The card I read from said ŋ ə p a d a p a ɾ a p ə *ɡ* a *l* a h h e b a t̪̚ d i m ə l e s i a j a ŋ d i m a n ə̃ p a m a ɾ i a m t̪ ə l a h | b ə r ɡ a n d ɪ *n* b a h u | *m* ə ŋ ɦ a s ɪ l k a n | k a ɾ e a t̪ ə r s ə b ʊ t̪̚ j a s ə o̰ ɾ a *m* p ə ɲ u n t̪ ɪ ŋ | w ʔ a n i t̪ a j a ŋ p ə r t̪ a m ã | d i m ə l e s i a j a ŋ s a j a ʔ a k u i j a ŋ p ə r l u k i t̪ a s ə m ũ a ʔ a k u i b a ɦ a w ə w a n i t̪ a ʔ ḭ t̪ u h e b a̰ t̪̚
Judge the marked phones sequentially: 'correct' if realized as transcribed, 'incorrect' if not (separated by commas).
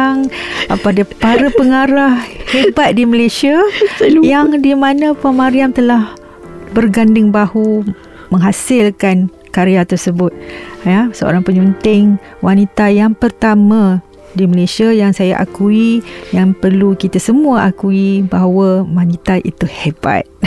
incorrect, incorrect, incorrect, correct, incorrect